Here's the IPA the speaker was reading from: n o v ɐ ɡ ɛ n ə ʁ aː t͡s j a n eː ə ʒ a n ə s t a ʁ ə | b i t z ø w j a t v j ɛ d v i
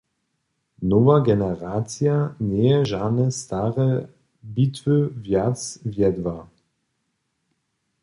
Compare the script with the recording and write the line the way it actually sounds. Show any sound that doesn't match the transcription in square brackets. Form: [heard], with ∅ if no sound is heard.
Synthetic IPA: n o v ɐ ɡ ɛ n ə ʁ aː t͡s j a n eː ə ʒ a n ə s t a ʁ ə | b i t [v] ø [v] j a [t͡s] v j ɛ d v [a]